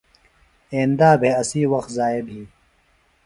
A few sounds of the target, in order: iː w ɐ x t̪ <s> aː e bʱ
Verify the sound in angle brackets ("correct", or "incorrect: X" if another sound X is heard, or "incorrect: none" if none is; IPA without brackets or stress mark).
incorrect: z